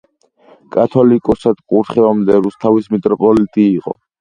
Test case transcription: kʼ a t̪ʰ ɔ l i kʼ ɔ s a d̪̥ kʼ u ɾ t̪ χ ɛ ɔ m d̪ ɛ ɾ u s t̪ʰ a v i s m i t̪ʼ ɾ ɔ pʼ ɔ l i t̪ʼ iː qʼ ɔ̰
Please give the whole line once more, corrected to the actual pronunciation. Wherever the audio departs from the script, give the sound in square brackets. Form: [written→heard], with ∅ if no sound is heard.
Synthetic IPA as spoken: kʼ a t̪ʰ ɔ l i kʼ ɔ s a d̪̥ kʼ u ɾ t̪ χ ɛ ɔ m d̪ ɛ ɾ u s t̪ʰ a v i s m i t̪ʼ ɾ ɔ pʼ ɔ l i t̪ʼ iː qʼ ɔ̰